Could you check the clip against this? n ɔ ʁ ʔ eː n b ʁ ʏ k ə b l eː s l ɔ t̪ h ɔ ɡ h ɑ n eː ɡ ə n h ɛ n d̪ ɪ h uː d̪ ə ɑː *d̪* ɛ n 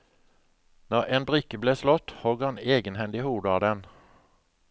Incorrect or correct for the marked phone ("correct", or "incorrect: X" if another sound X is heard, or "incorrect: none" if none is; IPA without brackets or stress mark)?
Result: correct